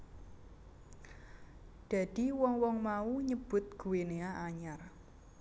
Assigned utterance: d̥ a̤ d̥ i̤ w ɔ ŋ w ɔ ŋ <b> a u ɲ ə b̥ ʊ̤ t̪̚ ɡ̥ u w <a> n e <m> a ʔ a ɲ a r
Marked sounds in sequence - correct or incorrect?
incorrect, incorrect, incorrect

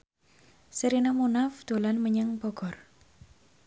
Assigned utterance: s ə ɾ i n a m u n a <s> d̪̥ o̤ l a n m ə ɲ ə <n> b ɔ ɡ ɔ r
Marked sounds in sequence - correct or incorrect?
incorrect, incorrect

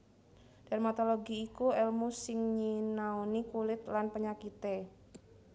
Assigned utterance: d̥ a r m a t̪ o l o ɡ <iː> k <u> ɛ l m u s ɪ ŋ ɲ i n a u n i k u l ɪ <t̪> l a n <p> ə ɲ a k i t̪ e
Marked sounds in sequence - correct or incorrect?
correct, correct, correct, correct

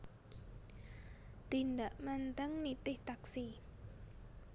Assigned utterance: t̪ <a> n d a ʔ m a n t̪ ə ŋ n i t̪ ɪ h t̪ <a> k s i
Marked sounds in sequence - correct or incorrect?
incorrect, correct

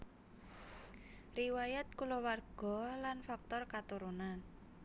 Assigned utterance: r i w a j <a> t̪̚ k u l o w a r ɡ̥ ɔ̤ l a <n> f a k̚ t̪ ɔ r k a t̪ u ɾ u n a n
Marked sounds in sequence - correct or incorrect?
correct, correct

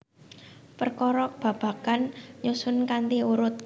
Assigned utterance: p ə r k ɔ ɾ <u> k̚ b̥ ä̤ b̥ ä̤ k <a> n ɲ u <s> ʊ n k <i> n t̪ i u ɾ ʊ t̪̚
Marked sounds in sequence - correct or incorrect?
incorrect, correct, correct, incorrect

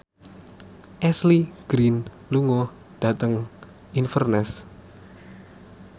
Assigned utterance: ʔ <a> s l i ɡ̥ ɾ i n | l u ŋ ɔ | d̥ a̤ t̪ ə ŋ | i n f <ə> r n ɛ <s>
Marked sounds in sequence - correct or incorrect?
incorrect, correct, correct

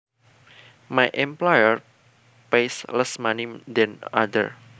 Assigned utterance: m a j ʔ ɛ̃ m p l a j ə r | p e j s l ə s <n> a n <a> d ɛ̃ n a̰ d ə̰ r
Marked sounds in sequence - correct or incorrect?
incorrect, incorrect

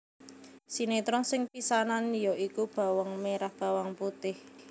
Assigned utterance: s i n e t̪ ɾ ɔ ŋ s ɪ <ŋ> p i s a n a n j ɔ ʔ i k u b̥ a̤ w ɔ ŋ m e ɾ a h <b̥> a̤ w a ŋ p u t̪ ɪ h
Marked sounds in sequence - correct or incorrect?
correct, correct

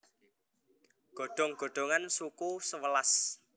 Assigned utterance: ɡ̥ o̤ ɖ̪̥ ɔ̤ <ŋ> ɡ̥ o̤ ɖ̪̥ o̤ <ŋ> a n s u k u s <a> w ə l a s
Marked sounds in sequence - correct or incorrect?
correct, correct, incorrect

